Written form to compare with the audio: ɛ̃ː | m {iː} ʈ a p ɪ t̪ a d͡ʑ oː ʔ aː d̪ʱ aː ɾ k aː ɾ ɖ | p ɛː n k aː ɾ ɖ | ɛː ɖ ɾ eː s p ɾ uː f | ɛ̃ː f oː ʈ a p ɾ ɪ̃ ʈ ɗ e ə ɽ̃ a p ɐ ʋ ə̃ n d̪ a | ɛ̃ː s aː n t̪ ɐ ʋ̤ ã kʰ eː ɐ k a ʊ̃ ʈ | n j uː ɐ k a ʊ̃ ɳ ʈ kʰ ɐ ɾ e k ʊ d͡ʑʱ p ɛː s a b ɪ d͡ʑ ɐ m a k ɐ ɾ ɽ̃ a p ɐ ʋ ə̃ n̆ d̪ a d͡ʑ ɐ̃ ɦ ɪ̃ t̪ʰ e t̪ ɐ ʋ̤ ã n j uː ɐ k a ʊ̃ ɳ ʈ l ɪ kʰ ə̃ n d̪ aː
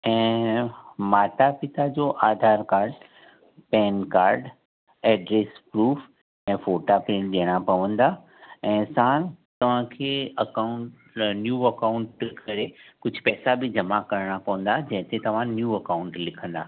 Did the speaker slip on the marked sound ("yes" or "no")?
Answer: yes